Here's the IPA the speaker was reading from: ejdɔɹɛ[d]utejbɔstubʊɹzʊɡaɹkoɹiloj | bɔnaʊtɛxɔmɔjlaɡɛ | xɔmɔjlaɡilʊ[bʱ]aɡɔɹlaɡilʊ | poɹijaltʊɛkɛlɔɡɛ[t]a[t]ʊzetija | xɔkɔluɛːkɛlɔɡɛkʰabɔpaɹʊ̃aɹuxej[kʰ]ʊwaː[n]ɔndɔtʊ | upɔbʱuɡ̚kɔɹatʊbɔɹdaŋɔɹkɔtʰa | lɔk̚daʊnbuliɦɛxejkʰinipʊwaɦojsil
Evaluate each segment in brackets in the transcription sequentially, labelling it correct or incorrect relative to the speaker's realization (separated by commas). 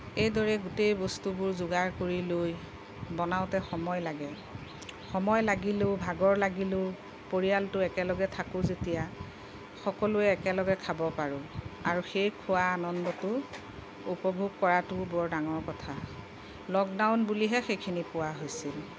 incorrect, correct, incorrect, incorrect, correct, correct